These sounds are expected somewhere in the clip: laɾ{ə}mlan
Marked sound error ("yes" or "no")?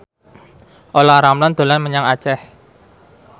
yes